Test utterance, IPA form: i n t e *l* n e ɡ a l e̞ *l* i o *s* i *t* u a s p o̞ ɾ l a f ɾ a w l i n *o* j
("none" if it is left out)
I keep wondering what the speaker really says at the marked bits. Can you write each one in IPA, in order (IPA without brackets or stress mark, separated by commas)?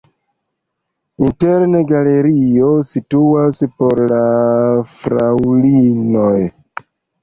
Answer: ɾ, ɾ, s, t, o